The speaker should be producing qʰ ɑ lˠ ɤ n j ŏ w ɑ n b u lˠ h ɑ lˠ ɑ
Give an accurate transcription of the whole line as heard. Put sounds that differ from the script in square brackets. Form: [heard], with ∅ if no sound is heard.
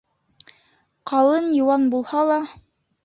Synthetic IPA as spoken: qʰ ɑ lˠ ɤ n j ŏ w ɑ n b u lˠ h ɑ lˠ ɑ